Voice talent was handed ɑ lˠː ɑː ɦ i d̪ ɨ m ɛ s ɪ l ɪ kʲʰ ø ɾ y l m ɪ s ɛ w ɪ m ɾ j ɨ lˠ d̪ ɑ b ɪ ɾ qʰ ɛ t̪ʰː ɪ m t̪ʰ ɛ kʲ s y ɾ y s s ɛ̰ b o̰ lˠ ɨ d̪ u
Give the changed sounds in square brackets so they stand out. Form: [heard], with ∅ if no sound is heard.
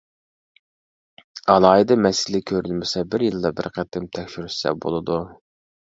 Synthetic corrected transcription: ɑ [lˠ] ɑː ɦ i d̪ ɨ m ɛ s ɪ l ɪ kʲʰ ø ɾ y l m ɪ s ɛ [b] ɪ [∅] ɾ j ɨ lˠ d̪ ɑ b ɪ ɾ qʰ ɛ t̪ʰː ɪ m t̪ʰ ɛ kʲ [ʃ] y ɾ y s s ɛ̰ b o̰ lˠ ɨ d̪ u